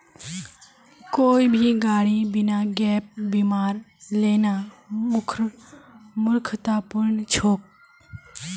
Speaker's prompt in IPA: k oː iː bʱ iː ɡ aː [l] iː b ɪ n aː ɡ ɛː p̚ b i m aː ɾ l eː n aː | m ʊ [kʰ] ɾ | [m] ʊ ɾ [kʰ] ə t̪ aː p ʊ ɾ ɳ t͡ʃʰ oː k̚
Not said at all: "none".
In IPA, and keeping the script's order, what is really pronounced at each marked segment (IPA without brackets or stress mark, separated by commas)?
ɽ, kʰ, m, kʰ